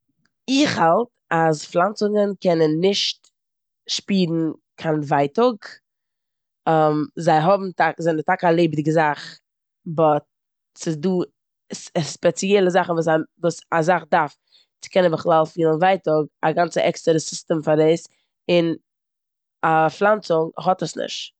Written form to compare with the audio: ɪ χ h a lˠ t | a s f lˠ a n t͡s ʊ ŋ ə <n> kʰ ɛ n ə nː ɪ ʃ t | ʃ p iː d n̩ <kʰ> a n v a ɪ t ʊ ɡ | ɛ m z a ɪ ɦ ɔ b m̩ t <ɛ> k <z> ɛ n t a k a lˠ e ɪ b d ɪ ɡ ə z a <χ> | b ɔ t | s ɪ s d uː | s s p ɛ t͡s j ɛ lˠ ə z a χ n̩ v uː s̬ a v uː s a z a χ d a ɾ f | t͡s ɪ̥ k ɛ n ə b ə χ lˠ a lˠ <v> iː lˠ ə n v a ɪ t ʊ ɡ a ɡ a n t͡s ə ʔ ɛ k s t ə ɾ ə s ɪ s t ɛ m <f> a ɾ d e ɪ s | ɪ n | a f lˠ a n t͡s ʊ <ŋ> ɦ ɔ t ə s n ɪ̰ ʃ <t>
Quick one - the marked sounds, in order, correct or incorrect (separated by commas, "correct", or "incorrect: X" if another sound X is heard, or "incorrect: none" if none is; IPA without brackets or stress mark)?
correct, correct, incorrect: a, correct, correct, incorrect: f, correct, correct, correct